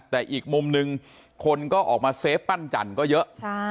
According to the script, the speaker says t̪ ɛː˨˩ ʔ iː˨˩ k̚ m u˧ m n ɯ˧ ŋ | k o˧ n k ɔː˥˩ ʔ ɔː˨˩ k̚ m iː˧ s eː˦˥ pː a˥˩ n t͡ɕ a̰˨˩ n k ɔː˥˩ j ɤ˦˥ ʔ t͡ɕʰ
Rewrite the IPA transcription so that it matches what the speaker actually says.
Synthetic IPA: t̪ ɛː˨˩ ʔ iː˨˩ k̚ m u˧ m n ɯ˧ ŋ | kʰ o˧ n k ɔː˥˩ ʔ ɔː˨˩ k̚ m aː˧ s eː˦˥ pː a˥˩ n t͡ɕ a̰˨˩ n k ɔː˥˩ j ɤ˦˥ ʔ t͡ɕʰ